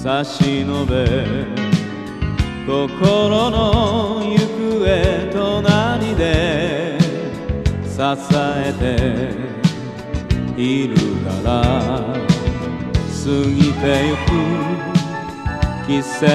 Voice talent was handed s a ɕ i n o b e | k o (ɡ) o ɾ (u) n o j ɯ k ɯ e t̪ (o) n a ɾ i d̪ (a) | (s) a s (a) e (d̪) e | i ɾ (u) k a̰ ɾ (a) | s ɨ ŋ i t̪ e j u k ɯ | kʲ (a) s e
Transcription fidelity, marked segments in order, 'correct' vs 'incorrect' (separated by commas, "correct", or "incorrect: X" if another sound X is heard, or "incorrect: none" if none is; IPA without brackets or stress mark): incorrect: k, incorrect: o, correct, incorrect: e, correct, correct, incorrect: t̪, incorrect: ɯ, correct, incorrect: i